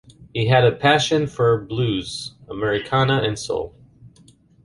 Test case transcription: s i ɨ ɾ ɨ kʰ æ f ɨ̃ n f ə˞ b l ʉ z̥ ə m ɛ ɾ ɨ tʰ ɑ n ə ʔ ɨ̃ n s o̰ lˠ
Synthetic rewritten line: h i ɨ ɾ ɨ pʰ æ ʃ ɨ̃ n f ə˞ b l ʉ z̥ ə m ɛ ɹ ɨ kʰ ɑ n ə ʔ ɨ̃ n s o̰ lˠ